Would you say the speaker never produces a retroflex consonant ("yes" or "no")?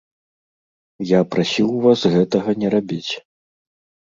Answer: yes